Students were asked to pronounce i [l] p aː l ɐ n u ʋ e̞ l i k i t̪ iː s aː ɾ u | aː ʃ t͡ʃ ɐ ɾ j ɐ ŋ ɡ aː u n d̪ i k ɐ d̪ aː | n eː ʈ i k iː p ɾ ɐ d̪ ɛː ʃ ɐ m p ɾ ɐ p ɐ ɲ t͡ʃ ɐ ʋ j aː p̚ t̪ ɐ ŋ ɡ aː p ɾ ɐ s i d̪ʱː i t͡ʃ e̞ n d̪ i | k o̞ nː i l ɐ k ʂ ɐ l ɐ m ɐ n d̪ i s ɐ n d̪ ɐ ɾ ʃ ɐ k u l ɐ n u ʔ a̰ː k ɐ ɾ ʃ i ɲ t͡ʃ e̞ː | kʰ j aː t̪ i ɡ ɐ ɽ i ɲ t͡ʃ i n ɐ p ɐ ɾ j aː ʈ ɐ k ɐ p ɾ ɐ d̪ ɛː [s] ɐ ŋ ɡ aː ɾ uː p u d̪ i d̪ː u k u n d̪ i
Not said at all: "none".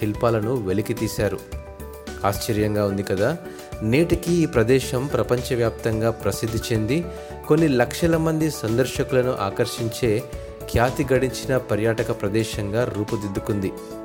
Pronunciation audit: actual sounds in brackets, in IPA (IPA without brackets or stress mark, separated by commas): l, ʃ